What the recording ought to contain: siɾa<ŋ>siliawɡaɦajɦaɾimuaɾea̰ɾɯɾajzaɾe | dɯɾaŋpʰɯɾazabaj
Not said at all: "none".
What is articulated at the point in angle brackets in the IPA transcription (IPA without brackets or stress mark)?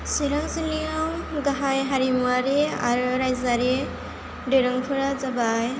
ŋ